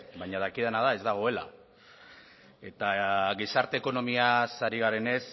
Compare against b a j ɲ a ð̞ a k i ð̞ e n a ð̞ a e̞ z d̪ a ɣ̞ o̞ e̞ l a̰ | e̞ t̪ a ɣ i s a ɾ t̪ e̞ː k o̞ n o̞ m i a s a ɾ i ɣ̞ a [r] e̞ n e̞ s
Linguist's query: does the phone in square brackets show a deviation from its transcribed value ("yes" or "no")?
yes